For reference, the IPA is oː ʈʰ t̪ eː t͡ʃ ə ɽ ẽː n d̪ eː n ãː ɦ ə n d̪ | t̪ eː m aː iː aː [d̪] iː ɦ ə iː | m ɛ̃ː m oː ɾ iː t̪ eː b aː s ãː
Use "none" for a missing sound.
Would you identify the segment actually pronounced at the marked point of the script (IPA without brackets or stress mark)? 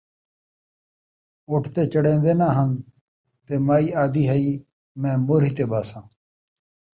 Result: d̪